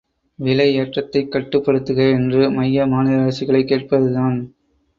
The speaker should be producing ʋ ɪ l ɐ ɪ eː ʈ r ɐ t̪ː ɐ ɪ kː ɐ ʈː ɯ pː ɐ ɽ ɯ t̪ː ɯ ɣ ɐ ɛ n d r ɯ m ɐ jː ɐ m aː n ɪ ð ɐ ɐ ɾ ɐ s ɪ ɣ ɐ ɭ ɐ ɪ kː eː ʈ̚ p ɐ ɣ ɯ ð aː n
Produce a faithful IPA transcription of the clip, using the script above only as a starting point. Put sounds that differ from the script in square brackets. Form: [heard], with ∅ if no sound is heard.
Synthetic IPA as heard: ʋ ɪ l ɐ ɪ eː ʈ r ɐ t̪ː ɐ ɪ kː ɐ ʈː ɯ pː ɐ ɽ ɯ t̪ː ɯ ɣ ɐ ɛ n d r ɯ m ɐ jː ɐ m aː n ɪ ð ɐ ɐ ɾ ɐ s ɪ ɣ ɐ ɭ ɐ ɪ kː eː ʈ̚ p ɐ [ð] ɯ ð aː n